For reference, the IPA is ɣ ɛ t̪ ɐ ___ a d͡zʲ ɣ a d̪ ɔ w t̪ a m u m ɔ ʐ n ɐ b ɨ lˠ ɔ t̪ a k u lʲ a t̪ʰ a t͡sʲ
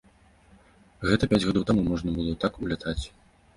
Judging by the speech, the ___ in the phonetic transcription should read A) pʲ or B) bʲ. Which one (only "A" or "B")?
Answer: A